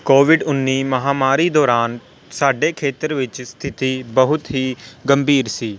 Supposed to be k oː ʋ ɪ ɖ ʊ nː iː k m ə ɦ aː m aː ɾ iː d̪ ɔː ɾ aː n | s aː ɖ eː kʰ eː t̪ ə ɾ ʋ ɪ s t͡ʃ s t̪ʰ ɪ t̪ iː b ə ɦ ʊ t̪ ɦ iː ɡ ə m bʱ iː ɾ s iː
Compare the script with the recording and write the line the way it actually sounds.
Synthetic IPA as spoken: k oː ʋ ɪ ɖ ʊ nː iː m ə ɦ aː m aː ɾ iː d̪ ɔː ɾ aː n | s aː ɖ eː kʰ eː t̪ ə ɾ ʋ ɪ t͡ʃ s t̪ʰ ɪ t̪ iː b ə ɦ ʊ t̪ ɦ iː ɡ ə m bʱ iː ɾ s iː